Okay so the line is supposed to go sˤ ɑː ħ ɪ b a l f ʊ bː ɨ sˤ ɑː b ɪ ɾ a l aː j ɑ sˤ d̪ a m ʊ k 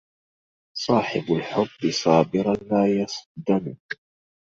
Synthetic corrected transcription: sˤ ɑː ħ ɪ b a l ħ ʊ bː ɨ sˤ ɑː b ɪ ɾ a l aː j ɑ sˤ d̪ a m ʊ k